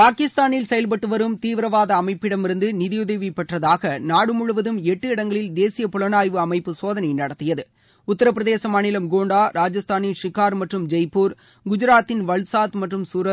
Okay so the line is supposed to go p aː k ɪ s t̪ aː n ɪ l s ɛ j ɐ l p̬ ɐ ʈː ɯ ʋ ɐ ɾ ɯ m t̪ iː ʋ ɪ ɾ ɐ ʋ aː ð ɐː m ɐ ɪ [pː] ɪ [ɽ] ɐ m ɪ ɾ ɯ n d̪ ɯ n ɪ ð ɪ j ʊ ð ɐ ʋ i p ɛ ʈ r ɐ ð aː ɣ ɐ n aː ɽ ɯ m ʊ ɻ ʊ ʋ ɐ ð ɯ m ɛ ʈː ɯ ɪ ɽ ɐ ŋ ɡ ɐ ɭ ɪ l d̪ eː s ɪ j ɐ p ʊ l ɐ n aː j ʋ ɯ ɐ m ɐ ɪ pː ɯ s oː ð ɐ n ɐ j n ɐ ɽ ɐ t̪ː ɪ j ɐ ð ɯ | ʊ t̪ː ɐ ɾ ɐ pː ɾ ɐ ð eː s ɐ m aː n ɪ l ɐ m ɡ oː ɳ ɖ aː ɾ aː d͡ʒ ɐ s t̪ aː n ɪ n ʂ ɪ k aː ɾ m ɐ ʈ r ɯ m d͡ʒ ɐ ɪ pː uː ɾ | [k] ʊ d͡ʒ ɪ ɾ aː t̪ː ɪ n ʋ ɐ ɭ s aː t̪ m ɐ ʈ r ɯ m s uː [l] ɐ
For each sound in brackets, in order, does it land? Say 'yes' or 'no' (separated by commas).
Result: yes, yes, no, no